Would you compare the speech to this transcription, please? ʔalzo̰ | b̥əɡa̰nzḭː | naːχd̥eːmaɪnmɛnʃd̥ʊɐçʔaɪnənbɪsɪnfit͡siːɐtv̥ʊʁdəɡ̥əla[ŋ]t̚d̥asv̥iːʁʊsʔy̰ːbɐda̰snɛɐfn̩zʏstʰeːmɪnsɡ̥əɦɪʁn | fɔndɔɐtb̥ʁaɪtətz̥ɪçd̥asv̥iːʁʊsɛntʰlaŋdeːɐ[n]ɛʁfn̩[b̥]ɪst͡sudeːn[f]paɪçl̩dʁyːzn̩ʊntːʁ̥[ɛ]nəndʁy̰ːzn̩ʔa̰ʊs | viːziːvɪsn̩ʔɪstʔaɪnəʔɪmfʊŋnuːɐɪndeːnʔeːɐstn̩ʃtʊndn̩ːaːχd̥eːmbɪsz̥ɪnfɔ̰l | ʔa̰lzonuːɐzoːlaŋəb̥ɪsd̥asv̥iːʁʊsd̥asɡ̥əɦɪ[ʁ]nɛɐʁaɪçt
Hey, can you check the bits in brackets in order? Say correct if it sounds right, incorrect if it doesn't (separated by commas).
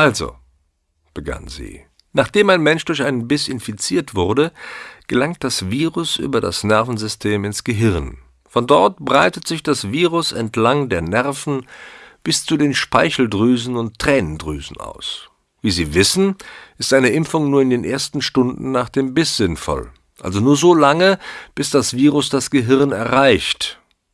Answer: correct, correct, correct, incorrect, incorrect, correct